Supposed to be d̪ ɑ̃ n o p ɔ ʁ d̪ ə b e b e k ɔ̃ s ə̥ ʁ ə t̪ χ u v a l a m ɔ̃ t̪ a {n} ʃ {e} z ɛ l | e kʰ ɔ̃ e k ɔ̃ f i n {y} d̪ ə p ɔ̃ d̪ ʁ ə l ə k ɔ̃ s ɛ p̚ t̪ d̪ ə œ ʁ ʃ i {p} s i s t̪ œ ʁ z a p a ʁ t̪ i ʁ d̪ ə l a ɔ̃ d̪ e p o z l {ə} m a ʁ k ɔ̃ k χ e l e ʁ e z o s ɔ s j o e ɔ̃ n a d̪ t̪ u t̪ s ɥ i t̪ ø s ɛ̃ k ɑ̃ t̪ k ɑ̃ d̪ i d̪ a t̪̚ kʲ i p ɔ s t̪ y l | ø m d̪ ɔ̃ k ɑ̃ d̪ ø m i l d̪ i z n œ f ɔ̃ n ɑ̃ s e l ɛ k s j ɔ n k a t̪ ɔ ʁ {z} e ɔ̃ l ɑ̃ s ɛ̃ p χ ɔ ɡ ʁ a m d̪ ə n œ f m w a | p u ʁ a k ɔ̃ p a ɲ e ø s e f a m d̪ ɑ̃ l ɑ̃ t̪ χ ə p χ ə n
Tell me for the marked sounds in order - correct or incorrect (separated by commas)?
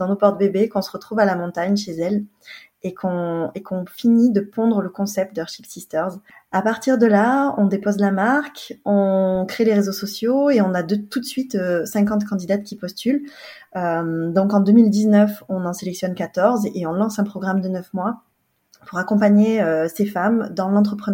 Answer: incorrect, correct, incorrect, correct, incorrect, correct